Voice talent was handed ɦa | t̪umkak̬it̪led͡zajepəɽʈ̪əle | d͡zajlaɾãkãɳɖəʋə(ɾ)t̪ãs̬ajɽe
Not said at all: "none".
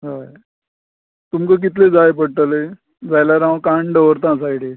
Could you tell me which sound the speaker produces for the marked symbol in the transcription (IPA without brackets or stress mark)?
ɾ